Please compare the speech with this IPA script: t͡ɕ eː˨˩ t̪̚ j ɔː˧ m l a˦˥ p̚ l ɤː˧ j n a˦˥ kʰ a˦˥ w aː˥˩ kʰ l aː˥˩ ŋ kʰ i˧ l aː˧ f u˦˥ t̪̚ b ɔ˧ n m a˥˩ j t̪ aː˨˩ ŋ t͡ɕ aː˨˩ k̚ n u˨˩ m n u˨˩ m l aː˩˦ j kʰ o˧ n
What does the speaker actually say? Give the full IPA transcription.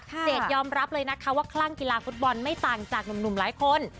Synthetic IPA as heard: t͡ɕ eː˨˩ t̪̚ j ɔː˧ m ɾ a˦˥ p̚ l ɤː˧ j n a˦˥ kʰ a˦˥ w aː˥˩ kʰ l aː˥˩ ŋ k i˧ l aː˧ f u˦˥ t̪̚ b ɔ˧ n m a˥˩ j t̪ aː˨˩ ŋ t͡ɕ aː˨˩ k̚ n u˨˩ m n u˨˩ m l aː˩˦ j kʰ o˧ n

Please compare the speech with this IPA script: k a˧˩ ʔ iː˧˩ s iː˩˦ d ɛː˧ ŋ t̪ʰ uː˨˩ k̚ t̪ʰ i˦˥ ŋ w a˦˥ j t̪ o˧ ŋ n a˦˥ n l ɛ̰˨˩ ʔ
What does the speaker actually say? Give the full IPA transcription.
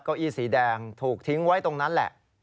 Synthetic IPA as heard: k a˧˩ ʔ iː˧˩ s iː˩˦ d ɛː˧ ŋ t̪ʰ uː˨˩ k̚ t̪ʰ i˦˥ ŋ w a˦˥ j t̪ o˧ ŋ n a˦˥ n l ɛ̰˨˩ ʔ

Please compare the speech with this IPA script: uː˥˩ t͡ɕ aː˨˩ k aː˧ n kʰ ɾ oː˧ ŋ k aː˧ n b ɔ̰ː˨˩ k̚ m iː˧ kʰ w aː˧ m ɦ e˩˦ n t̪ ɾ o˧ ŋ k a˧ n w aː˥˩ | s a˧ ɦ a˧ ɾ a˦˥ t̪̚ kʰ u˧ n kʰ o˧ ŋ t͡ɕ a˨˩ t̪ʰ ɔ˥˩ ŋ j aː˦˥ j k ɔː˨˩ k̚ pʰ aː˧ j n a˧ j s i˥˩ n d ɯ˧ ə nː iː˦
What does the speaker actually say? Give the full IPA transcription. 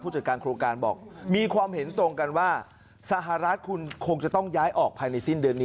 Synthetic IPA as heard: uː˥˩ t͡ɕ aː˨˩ k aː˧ n kʰ ɾ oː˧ ŋ k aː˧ n b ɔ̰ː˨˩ k̚ m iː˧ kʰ w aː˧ m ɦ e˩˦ n t̪ ɾ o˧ ŋ k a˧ n w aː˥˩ | s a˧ ɦ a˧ ɾ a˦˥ t̪̚ kʰ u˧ n kʰ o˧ ŋ t͡ɕ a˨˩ t̪ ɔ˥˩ ŋ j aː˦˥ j ʔ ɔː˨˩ k̚ pʰ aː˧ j n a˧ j s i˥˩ n d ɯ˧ ə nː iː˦

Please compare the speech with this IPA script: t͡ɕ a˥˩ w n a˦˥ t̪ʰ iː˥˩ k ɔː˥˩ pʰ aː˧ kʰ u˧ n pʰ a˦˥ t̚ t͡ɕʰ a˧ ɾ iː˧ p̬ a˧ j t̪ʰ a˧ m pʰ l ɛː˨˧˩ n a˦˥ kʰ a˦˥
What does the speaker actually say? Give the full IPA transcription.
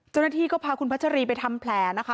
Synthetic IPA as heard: t͡ɕ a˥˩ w n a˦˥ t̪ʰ iː˥˩ k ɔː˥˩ pʰ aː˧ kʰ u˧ n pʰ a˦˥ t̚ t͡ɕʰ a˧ ɾ iː˧ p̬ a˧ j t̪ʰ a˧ m pʰ l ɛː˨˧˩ n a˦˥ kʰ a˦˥

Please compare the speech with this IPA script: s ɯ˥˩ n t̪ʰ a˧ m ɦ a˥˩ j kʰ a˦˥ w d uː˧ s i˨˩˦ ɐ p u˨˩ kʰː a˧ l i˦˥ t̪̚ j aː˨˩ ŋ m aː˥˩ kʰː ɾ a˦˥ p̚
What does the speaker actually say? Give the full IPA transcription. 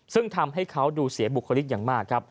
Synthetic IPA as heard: s ɯ˥˩ ŋ t̪ʰ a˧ m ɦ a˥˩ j kʰ a˦˥ w d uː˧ s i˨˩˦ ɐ b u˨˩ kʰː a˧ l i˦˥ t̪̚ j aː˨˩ ŋ m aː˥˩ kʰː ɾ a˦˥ p̚

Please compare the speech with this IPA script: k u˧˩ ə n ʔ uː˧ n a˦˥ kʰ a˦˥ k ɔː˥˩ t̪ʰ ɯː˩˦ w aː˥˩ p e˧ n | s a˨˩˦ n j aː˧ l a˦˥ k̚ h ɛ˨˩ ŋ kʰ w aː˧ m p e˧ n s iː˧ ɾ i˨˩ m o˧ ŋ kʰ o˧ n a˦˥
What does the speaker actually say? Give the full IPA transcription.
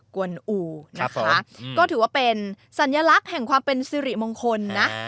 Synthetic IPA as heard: k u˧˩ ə n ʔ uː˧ n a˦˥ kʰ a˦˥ k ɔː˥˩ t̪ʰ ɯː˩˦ w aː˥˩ p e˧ n | s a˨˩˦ n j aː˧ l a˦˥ k̚ h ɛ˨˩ ŋ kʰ w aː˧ m p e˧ n s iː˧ ɾ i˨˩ m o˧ ŋ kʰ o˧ nː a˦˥

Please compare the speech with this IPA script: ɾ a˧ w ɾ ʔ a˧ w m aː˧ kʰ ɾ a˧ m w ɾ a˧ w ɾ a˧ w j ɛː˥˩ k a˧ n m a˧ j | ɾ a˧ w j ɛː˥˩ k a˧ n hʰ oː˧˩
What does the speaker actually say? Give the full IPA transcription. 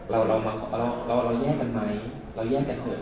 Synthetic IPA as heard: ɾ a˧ w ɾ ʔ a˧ w m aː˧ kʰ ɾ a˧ w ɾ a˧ w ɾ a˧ w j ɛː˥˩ k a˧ n m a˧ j | ɾ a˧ w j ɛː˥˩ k a˧ n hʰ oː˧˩

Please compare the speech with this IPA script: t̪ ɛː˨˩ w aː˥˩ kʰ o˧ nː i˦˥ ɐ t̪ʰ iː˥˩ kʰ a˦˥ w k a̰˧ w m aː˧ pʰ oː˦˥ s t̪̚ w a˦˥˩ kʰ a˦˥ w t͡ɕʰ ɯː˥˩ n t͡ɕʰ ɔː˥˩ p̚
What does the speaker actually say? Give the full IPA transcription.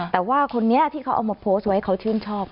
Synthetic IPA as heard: t̪ ɛː˨˩ w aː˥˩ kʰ o˧ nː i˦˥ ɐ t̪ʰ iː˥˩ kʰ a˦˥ w ʔ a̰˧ w m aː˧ pʰ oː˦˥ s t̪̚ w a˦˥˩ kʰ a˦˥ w t͡ɕʰ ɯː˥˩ n t͡ɕʰ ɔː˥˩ p̚

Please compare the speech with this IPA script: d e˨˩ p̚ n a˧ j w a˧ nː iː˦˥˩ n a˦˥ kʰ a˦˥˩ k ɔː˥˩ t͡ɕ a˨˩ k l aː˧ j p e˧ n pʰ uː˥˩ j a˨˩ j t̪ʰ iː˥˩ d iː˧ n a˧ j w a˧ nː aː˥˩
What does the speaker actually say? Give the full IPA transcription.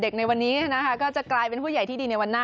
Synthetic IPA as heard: d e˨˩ k̚ n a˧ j w a˧ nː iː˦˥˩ n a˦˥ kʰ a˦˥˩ k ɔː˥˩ t͡ɕ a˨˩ k l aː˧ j p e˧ n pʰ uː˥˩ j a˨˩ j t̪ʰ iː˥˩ d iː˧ n a˧ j w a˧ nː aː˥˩

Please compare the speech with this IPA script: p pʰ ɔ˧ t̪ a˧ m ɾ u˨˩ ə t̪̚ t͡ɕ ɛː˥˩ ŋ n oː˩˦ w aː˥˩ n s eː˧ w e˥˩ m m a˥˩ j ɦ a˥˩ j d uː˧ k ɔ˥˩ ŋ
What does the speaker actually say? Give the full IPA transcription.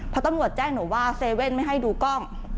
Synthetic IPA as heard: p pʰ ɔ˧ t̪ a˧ m ɾ u˨˩ ə t̪̚ t͡ɕ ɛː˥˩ ŋ n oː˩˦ w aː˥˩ s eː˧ w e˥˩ n m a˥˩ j ɦ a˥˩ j d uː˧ k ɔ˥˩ ŋ

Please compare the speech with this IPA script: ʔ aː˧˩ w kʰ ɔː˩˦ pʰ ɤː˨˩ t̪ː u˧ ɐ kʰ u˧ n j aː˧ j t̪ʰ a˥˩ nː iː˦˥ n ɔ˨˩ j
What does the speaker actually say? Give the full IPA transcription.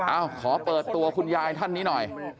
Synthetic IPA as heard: ʔ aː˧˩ w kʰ ɔː˩˦ p ɤː˨˩ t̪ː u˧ ɐ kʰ u˧ n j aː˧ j t̪ʰ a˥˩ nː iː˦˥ n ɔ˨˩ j

